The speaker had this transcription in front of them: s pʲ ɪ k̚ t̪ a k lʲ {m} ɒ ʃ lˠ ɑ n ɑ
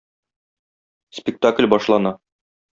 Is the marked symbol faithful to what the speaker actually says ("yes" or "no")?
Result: no